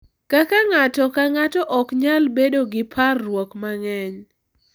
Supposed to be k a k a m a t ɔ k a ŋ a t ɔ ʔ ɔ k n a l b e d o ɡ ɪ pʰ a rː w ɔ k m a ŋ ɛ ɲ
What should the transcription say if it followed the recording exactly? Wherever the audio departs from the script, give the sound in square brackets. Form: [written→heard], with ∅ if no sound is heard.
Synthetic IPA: k a k a [m→ŋ] a t ɔ k a ŋ a t ɔ ʔ ɔ k [n→ɲ] a l b e d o ɡ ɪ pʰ a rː w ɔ k m a ŋ ɛ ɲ